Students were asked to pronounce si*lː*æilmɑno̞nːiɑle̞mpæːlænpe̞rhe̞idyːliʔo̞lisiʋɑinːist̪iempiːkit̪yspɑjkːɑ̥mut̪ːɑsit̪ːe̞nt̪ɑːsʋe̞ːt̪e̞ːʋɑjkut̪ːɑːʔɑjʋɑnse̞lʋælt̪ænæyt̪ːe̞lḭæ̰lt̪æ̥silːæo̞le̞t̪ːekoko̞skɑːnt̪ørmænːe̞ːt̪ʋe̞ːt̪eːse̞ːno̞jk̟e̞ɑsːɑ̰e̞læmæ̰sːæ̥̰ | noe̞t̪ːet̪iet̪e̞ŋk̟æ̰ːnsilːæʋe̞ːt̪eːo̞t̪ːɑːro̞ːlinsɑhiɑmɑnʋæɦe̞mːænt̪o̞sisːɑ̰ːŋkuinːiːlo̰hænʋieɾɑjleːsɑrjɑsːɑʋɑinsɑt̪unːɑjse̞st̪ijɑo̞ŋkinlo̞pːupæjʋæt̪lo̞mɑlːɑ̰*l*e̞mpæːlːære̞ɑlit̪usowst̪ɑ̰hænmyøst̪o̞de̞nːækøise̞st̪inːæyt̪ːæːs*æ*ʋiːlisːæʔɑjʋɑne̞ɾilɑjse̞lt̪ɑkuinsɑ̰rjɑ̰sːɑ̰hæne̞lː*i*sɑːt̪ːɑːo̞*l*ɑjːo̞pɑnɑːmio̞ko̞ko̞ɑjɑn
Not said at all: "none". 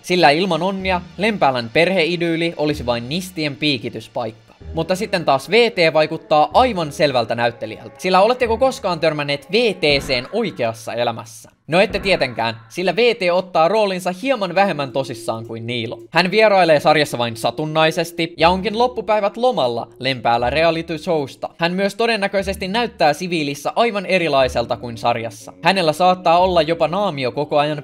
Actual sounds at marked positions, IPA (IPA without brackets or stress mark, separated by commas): lː, l, i, æ, lː